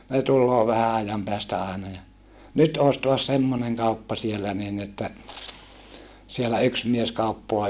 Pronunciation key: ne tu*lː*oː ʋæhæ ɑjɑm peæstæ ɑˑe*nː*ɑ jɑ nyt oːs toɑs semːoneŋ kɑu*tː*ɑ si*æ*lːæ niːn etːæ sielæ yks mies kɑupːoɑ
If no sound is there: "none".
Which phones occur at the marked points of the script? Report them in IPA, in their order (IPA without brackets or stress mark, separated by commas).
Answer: lː, n, pː, e